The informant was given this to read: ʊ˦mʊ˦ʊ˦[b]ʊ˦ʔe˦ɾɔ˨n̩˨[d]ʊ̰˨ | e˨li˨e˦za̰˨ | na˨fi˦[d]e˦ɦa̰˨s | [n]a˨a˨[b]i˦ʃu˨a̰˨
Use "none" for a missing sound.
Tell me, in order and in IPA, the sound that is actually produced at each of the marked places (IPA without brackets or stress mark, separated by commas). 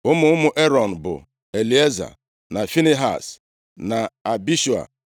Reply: m, b, n, n, b